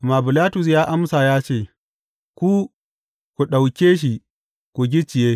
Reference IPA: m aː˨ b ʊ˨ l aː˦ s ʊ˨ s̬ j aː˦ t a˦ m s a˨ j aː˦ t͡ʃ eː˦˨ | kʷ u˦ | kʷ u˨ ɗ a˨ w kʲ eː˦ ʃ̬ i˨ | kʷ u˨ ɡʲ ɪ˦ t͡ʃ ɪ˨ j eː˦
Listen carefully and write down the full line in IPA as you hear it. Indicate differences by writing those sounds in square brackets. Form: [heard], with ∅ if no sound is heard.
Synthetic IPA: m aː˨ b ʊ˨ l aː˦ [t] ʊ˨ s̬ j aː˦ [ʔ] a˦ m s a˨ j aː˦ t͡ʃ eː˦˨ | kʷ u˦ | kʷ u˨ ɗ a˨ w kʲ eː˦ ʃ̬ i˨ | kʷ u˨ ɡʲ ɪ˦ t͡ʃ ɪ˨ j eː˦